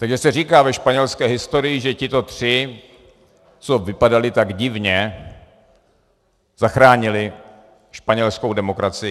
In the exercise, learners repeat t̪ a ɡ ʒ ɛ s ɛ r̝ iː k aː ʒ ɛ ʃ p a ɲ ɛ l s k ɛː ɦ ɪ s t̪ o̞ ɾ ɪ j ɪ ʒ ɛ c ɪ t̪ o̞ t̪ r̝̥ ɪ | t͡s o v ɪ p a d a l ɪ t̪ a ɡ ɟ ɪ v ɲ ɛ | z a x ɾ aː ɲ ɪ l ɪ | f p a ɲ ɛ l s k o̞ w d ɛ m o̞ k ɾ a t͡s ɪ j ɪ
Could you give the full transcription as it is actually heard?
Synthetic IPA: t̪ a ɡ ʒ ɛ s ɛ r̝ iː k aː v ɛ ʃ p a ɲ ɛ l s k ɛː ɦ ɪ s t̪ o̞ ɾ ɪ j ɪ ʒ ɛ c ɪ t̪ o̞ t̪ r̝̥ ɪ | t͡s o v ɪ p a d a l ɪ t̪ a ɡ ɟ ɪ v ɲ ɛ | z a x ɾ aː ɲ ɪ l ɪ | ʃ p a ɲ ɛ l s k o̞ w d ɛ m o̞ k ɾ a t͡s ɪ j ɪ